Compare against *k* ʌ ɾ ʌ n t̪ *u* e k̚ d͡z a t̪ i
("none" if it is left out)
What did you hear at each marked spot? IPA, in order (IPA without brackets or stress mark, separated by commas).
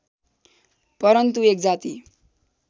p, u